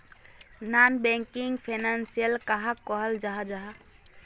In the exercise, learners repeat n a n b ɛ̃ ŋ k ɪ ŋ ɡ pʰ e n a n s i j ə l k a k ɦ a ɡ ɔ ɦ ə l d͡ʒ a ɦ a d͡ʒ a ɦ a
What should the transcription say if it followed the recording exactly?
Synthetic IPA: n a n b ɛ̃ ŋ k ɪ ŋ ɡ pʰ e n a n s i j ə l k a ɦ a k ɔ ɦ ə l d͡ʒ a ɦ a d͡ʒ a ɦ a